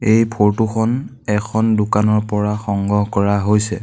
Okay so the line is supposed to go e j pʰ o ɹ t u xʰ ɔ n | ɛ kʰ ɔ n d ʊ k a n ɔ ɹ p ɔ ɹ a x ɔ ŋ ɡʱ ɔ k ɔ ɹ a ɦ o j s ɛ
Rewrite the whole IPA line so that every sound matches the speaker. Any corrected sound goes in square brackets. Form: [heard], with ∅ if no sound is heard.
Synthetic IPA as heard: e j pʰ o ɹ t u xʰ ɔ n | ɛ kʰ ɔ n d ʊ k a n ɔ ɹ p ɔ ɹ a x ɔ ŋ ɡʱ ɔ k ɔ ɹ a ɦ o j s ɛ